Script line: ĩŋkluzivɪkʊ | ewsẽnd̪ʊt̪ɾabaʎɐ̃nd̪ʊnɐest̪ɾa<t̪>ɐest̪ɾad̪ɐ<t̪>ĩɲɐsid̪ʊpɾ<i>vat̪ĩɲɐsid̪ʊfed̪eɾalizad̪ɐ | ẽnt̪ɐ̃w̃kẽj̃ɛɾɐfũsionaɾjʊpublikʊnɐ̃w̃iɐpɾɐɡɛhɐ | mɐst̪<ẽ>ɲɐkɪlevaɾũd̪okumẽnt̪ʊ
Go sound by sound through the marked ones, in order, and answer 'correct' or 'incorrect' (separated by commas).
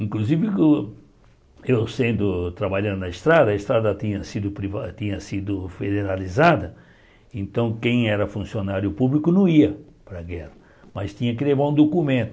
incorrect, correct, correct, incorrect